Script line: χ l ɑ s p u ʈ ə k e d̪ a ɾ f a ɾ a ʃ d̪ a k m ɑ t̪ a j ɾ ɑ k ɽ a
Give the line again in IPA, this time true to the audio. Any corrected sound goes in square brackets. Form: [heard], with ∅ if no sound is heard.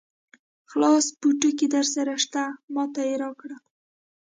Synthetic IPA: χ l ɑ s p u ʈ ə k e d̪ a ɾ [s] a ɾ a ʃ [t̪] a [∅] m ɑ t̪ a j ɾ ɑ k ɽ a

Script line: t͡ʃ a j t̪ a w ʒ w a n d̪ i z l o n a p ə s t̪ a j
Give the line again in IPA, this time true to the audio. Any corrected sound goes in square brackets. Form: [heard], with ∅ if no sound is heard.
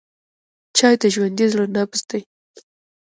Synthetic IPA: t͡ʃ [ɑ] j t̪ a [∅] ʒ w a n d̪ i z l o n a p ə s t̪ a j

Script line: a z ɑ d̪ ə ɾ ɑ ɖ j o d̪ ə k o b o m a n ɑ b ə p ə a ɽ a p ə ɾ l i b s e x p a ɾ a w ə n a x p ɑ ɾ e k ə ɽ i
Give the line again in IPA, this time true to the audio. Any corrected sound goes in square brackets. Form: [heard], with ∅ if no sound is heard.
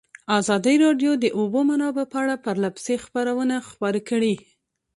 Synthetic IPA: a z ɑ d̪ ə ɾ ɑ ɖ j o d̪ ə [ʔ] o b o m a n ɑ b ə p ə a ɽ a p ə ɾ l [a] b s e x p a ɾ a w ə n a x p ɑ ɾ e k ə ɽ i

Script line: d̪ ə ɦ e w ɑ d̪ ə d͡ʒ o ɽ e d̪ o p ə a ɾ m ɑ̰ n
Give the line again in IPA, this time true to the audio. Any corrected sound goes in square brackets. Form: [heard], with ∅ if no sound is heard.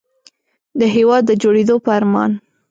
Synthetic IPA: d̪ ə ɦ e w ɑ [d̪ː] ə d͡ʒ o ɽ e d̪ o p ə a ɾ m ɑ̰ n

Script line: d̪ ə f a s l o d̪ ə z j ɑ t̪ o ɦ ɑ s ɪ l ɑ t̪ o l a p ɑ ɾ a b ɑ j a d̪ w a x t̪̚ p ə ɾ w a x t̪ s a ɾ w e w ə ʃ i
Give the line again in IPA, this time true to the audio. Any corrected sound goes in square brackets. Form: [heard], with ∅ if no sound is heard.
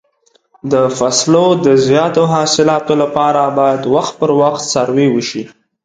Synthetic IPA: d̪ ə f a s l o d̪ ə z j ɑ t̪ o ɦ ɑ s ɪ l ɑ t̪ o l a p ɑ ɾ a b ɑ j a d̪ w a x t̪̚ p ə ɾ w a x t̪ s a ɾ w e w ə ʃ i

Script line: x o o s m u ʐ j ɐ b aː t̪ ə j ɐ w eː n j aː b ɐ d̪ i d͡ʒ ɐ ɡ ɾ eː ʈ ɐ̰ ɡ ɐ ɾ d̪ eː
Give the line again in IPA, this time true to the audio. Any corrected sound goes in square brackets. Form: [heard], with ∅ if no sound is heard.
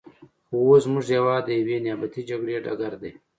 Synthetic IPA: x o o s m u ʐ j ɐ [w] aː [d̪] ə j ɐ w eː n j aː b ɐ [t̪] i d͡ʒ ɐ ɡ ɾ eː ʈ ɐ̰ ɡ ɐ ɾ d̪ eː

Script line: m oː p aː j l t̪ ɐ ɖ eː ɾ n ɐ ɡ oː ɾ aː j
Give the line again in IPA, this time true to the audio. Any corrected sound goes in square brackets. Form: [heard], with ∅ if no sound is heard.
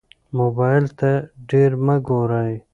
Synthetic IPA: m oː [b] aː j l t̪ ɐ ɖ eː ɾ [m] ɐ ɡ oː ɾ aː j

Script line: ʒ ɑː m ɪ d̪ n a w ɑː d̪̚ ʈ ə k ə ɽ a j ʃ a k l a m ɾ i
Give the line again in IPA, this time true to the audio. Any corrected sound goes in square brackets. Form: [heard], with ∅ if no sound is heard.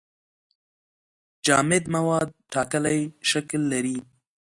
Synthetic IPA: [d͡ʒ] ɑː m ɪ d̪ [m] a w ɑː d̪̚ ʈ [ɑ] k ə [l] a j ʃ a k [lː] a [∅] ɾ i

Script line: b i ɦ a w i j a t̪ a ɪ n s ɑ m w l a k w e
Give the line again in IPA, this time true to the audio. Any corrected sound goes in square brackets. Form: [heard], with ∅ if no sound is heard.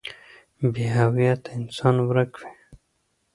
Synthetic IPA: b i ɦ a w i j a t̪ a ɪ n s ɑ [n] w [ɾ] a k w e

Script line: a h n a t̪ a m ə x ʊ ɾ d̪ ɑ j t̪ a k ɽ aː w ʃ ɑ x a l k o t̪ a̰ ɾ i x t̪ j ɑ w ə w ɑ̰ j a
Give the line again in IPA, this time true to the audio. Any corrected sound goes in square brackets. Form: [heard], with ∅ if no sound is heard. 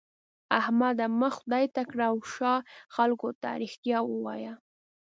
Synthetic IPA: a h [m] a [d̪] a m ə x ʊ [∅] d̪ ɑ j t̪ a k ɽ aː w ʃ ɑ x a l k o t̪ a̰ ɾ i x t̪ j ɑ w ə w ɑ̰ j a

